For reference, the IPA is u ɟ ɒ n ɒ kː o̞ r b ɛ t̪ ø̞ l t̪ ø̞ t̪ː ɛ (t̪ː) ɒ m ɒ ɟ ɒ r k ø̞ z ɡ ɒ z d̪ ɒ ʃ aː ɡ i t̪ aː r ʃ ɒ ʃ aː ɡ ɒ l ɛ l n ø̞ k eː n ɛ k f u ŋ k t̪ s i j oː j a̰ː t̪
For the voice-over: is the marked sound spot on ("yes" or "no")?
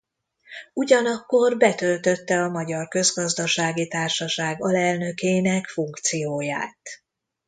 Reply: no